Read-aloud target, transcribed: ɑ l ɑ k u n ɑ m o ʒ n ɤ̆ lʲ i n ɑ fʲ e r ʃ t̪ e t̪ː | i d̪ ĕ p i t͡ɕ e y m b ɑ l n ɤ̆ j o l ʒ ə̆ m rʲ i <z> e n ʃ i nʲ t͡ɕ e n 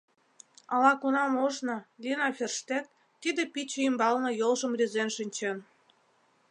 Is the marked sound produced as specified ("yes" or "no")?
yes